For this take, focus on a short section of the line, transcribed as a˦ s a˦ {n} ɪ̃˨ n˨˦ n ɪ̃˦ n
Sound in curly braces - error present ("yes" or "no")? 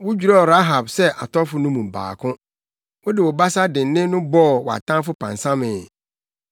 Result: yes